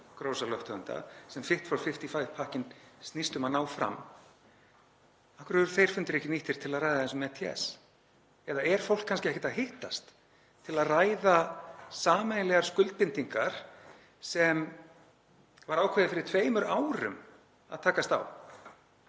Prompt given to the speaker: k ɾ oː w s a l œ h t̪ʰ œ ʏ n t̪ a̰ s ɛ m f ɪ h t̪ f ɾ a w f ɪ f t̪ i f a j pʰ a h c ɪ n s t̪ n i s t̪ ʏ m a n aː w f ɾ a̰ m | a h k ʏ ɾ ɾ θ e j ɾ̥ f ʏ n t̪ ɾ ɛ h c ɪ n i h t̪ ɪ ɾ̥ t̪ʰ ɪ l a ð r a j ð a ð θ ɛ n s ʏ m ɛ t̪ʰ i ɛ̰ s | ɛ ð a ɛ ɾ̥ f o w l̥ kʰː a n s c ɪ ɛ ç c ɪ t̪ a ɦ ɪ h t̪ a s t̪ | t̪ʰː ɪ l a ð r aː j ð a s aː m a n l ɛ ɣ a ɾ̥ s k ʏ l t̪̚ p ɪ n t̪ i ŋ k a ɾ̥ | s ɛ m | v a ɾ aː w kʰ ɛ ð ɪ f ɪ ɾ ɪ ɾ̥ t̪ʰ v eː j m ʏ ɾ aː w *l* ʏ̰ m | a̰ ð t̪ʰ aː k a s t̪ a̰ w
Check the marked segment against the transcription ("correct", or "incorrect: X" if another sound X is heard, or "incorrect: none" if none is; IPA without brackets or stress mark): incorrect: ɾ